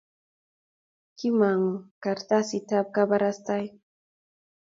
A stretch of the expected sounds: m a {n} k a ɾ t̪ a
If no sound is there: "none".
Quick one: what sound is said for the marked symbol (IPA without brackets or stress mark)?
ŋ